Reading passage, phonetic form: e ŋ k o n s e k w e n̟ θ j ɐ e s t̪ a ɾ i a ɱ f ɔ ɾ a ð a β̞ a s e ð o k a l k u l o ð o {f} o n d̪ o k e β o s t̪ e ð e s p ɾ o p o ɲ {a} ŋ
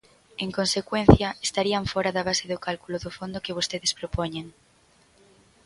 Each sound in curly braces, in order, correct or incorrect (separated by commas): correct, incorrect